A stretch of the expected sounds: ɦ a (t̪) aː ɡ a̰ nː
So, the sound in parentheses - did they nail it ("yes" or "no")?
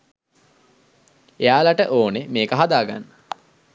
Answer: no